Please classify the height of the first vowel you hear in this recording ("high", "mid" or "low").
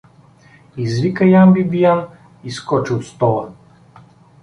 high